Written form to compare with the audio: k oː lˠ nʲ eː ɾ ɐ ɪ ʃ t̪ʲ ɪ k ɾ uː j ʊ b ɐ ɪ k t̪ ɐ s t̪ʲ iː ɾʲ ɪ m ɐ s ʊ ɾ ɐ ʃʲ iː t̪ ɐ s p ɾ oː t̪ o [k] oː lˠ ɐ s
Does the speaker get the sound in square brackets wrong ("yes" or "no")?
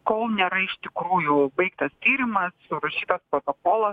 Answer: no